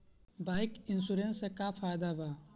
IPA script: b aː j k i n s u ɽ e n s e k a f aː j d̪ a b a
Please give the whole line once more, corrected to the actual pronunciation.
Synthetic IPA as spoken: b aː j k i n s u ɾ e n s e k a f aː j d̪ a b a

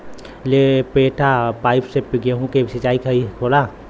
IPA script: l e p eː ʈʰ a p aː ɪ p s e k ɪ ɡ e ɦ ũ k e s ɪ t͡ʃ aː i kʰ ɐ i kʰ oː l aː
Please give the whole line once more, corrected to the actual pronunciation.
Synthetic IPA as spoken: l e p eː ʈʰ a p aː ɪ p s e p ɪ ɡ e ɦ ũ k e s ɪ t͡ʃ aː i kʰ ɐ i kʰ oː l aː

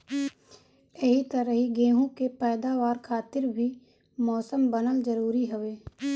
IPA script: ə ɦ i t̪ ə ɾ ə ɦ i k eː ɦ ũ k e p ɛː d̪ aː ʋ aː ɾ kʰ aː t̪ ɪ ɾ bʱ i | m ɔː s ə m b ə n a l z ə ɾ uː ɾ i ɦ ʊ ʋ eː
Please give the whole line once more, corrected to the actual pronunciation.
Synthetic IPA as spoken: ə ɦ i t̪ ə ɾ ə ɦ i ɡ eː ɦ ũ k e p ɛː d̪ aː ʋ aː ɾ kʰ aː t̪ ɪ ɾ bʱ i | m ɔː s ə m b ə n ə l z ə ɾ uː ɾ i ɦ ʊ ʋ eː

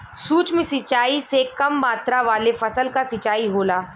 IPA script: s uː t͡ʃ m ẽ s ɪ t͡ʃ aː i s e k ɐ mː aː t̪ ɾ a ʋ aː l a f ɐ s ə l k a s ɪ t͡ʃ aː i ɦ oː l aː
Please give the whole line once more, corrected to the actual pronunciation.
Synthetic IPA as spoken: s uː t͡ʃ m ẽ s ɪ t͡ʃ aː i s e k ɐ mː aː t̪ ɾ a ʋ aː l e f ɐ s ə l k a s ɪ t͡ʃ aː i ɦ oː l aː

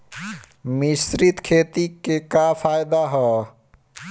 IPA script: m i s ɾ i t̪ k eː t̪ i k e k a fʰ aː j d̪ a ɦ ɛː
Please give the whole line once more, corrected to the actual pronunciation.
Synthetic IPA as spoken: m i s ɾ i t̪ kʰ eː t̪ i k e k a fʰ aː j d̪ a ɦ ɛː

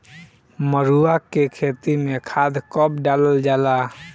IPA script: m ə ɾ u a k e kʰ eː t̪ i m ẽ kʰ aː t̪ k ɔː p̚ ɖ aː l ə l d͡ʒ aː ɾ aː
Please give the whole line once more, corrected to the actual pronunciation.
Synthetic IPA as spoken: m ə ɾ u a k e kʰ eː t̪ i m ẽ kʰ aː d̪ k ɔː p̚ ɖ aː l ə l d͡ʒ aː l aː

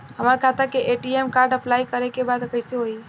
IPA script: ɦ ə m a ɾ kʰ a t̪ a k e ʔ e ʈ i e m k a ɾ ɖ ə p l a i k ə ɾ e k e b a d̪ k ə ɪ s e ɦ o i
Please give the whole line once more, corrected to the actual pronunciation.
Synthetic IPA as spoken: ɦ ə m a ɾ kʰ a t̪ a k e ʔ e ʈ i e m k a ɾ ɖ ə p l a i k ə ɾ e k e b a d̪ k ə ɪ s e ɦ o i

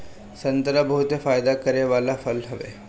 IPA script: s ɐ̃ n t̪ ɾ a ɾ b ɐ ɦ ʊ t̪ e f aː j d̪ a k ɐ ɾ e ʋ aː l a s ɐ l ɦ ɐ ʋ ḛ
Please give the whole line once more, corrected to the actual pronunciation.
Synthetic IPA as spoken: s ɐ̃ n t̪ ɾ a b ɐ ɦ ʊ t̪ e f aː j d̪ a k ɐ ɾ e ʋ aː l a f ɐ l ɦ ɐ ʋ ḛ

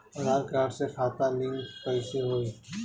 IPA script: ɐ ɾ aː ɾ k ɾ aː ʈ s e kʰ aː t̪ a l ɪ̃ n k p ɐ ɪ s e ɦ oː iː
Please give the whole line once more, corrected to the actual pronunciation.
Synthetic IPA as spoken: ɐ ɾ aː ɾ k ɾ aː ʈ s e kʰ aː t̪ a l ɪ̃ ŋ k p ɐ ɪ s e ɦ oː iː

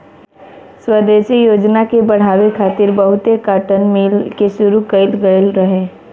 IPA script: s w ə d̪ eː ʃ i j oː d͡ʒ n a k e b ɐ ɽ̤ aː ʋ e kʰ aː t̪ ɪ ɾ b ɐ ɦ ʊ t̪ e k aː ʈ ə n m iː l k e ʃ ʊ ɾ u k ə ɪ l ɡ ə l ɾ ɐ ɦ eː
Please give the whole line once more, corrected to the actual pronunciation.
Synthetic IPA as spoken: s w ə d̪ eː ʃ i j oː d͡ʒ n a k e b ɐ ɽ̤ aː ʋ e kʰ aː t̪ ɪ ɾ b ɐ ɦ ʊ t̪ e k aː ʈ ə n m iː l k e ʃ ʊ ɾ u k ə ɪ l ɡ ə l ɾ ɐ ɦ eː

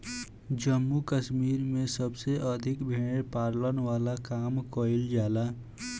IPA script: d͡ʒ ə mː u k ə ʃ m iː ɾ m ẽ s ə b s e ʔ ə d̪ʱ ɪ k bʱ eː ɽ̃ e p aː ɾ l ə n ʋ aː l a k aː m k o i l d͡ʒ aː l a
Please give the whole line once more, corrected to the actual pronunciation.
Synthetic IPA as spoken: d͡ʒ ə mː u k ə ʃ m iː ɾ m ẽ s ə b s e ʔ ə d̪ʱ ɪ k bʱ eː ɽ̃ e p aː ɾ l ə n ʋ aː l a k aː m k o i l d͡ʒ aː l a

